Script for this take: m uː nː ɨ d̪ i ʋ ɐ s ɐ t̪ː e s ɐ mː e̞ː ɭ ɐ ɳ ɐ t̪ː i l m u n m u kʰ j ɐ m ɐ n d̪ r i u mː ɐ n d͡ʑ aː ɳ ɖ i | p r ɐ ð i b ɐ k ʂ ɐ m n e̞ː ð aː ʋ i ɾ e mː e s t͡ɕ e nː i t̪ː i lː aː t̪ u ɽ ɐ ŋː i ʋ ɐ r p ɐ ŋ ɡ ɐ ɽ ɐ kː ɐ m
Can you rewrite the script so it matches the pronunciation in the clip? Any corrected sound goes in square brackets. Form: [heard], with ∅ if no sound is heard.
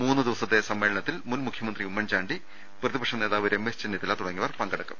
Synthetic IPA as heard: m uː nː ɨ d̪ i ʋ ɐ s ɐ t̪ː e s ɐ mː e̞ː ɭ ɐ ɳ ɐ t̪ː i l m u n m u kʰ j ɐ m ɐ n d̪ r i u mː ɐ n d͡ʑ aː ɳ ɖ i | p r ɐ ð i b ɐ k ʂ ɐ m n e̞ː ð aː ʋ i ɾ e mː e s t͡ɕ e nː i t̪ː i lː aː t̪ u ɽ ɐ ŋː i ʋ ɐ r p ɐ ŋ ɡ ɐ ɽ ɐ kː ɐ m